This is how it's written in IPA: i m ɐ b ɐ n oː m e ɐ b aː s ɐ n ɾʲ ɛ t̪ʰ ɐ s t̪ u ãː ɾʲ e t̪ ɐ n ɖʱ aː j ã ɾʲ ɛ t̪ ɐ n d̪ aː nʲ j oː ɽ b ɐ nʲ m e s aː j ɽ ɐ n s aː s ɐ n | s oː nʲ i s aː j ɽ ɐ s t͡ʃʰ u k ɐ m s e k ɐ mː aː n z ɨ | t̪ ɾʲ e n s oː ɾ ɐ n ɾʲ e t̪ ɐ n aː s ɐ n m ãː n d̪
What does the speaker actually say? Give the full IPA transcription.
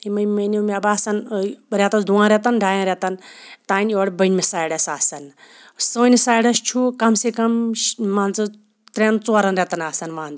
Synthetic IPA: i m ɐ m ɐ n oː m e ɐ b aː s ɐ n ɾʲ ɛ t̪ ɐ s d̪ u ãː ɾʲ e t̪ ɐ n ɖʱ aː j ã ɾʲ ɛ t̪ ɐ n t̪ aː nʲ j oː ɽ b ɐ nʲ m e s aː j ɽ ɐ s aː s ɐ n | s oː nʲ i s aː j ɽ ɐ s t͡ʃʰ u k ɐ m s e k ɐ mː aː n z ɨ | t̪ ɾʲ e n t͡s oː ɾ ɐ n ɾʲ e t̪ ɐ n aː s ɐ n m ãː n d̪

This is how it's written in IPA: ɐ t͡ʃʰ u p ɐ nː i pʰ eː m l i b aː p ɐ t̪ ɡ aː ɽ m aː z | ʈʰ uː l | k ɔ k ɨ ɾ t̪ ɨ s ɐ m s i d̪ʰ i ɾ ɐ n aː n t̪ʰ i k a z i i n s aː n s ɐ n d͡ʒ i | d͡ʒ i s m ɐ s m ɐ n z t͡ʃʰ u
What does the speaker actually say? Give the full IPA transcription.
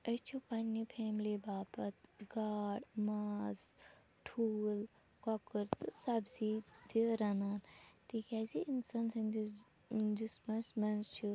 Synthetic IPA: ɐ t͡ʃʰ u p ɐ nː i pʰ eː m l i b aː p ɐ t̪ ɡ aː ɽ m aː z | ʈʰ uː l | k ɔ k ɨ ɾ t̪ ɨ s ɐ b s i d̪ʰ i ɾ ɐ n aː n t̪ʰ i k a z i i n s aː n s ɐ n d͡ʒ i | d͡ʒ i s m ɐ s m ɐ n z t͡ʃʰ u

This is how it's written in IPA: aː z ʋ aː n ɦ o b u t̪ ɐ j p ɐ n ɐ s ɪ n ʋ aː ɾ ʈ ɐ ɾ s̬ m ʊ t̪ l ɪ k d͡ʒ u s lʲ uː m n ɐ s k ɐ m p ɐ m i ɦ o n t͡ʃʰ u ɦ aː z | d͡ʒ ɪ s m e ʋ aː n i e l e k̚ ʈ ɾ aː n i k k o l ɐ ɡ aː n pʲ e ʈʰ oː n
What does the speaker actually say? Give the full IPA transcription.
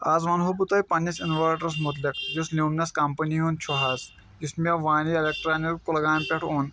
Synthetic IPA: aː z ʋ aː n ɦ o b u t̪ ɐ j p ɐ n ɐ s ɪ n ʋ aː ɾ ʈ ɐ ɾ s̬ m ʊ t̪ l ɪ k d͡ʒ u s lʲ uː m n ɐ s k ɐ m p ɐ n i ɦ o n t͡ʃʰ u ɦ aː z | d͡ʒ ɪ s m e ʋ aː n i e l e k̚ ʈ ɾ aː n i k k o l ɐ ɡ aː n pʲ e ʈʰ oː n

